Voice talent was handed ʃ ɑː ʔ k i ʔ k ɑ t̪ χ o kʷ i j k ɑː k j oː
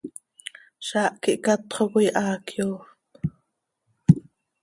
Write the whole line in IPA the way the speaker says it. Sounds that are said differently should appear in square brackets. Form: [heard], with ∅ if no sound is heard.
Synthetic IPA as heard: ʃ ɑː ʔ k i ʔ k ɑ t̪ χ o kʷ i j [ʔ] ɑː k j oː